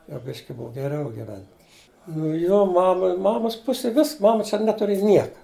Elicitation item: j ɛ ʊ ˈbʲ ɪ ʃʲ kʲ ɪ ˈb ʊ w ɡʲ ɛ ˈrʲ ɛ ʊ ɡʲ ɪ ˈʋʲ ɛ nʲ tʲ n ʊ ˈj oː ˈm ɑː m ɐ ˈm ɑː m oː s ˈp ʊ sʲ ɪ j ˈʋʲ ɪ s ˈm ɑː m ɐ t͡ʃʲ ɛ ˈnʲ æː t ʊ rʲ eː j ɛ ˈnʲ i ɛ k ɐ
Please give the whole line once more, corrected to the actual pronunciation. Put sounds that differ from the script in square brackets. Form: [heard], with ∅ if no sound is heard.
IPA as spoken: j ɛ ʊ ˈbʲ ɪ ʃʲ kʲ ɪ ˈb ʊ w ɡʲ ɛ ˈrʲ ɛ ʊ ɡʲ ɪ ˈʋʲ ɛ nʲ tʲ n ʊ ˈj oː ˈm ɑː m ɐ ˈm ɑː m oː s ˈp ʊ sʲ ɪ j ˈʋʲ ɪ s ˈm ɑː m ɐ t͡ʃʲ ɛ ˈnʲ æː t ʊ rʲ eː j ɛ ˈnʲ i ɛ k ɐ